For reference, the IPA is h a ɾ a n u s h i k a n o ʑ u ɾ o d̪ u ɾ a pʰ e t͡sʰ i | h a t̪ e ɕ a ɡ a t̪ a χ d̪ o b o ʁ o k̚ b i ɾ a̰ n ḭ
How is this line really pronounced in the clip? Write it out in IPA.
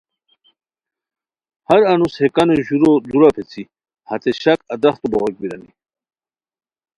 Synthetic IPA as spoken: h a ɾ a n u s h e k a n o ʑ u ɾ o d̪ u ɾ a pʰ e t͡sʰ i | h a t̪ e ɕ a k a d̪ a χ t̪ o b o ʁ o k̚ b i ɾ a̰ n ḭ